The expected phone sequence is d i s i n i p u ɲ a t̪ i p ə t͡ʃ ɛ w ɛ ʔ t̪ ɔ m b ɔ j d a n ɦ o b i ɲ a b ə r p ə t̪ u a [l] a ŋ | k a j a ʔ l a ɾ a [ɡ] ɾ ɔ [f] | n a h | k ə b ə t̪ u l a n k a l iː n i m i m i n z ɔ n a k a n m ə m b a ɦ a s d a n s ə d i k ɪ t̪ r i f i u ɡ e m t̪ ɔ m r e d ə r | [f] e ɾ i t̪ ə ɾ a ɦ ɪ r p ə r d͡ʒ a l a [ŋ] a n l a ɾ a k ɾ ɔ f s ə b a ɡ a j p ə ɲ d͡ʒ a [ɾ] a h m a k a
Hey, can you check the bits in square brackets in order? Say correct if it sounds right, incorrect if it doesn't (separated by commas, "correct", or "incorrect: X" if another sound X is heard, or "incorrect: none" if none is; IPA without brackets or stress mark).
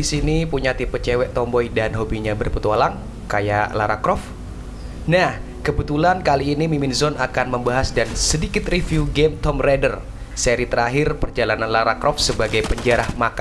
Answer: correct, incorrect: k, correct, incorrect: s, incorrect: n, correct